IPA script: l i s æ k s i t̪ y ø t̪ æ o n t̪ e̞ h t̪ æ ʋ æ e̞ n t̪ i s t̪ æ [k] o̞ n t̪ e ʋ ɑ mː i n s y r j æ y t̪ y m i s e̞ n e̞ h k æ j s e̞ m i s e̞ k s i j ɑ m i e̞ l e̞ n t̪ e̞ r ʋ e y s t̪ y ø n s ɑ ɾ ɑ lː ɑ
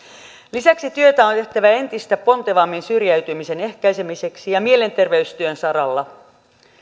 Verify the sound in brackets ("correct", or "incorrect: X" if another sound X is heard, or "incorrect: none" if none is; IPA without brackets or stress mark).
incorrect: p